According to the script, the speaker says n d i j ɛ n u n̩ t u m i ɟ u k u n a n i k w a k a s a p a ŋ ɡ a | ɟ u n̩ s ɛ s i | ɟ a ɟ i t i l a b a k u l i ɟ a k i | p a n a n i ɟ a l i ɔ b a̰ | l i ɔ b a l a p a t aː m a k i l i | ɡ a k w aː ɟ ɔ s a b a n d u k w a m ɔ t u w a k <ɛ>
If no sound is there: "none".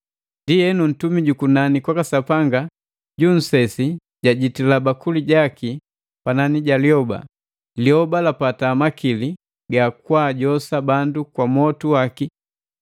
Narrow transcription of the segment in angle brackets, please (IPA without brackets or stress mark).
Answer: i